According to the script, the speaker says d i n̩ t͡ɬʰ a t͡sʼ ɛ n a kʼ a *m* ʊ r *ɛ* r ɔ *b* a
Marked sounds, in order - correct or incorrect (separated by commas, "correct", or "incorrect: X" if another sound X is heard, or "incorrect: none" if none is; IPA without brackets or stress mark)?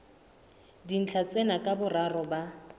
incorrect: b, incorrect: a, correct